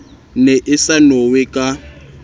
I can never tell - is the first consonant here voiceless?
no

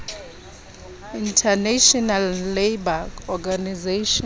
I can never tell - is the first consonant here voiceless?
no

